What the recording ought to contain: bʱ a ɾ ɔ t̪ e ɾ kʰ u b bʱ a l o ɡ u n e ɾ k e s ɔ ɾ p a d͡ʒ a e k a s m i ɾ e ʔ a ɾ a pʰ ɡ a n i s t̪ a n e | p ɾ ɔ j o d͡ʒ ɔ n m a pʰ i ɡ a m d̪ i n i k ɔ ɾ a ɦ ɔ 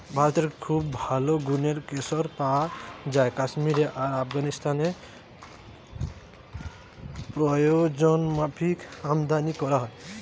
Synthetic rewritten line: bʱ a ɾ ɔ t̪ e ɾ kʰ u b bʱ a l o ɡ u n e ɾ k e s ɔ ɾ p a d͡ʒ a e k a s m i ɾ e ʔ a ɾ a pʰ ɡ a n i s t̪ a n e | p ɾ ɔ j o d͡ʒ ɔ n m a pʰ i k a m d̪ a n i k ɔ ɾ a ɦ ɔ